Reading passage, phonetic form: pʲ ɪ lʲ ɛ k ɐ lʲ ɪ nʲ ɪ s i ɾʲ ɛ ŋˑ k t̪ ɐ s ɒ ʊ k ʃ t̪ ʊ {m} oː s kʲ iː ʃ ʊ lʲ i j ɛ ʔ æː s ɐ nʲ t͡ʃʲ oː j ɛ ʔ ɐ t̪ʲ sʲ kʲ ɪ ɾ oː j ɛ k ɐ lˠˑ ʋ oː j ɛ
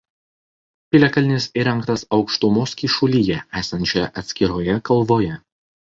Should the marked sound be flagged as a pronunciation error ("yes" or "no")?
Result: no